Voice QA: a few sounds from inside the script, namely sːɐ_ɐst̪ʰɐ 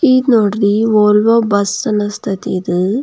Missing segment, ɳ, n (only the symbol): n